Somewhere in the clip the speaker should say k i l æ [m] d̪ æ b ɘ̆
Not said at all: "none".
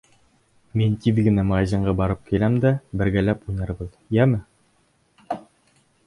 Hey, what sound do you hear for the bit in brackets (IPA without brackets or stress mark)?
m